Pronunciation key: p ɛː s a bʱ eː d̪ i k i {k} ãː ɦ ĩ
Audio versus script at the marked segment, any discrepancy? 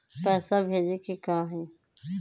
no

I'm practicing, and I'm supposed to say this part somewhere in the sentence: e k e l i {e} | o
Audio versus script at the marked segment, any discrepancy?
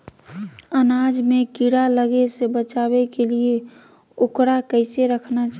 no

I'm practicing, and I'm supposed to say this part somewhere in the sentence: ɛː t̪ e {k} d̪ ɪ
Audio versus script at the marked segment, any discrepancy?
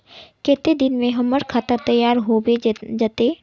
yes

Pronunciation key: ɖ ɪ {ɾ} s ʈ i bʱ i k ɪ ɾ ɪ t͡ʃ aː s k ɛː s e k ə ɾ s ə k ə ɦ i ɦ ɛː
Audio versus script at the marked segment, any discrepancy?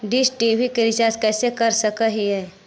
yes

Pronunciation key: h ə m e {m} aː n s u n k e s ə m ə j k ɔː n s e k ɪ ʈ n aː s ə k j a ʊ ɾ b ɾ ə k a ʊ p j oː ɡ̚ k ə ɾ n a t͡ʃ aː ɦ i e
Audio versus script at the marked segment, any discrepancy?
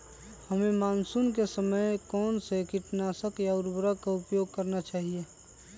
no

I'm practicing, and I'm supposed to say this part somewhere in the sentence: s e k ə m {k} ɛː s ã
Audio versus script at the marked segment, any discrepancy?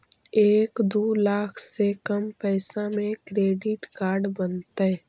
yes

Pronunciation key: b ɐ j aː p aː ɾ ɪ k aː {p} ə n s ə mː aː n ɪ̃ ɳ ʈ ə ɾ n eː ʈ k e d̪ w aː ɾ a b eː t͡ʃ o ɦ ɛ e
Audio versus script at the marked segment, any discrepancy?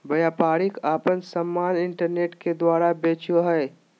no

